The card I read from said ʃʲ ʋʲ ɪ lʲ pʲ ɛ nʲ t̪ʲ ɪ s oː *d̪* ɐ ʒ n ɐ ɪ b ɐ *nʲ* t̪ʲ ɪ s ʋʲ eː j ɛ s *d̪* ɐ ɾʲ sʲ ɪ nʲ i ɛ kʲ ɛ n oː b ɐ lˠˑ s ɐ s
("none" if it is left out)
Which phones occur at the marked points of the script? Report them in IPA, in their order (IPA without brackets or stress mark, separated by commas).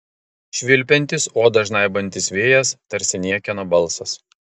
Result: d̪, nʲ, t̪